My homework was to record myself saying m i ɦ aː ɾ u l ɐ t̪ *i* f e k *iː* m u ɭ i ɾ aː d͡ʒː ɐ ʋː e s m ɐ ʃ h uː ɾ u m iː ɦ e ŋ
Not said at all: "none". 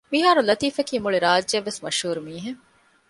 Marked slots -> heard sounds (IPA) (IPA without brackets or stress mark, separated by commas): iː, iː